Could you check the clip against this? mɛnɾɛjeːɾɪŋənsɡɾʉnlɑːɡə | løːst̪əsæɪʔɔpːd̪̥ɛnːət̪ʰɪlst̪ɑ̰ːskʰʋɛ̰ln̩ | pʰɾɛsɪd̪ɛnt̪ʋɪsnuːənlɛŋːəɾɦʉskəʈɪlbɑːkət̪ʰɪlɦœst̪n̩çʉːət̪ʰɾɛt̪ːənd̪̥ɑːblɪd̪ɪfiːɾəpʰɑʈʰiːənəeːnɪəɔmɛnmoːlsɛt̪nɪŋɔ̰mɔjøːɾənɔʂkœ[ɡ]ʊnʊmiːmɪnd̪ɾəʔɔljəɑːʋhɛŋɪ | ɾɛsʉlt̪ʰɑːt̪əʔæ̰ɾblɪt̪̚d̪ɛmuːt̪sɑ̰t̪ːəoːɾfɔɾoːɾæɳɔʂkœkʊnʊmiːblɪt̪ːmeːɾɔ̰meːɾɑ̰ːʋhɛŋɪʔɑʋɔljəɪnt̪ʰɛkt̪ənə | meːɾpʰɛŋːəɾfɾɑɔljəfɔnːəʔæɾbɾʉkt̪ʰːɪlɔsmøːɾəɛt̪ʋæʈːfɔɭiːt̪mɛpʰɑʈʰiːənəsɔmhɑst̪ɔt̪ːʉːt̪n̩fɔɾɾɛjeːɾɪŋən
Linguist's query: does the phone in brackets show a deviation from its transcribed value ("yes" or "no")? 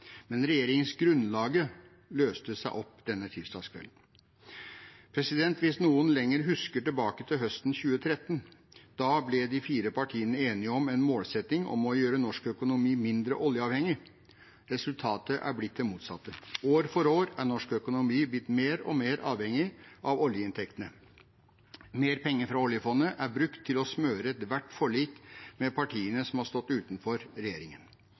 yes